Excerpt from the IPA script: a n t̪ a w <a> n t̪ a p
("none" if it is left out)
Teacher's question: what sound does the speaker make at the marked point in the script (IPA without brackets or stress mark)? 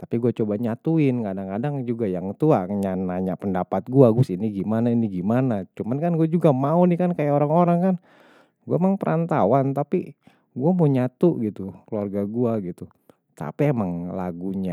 a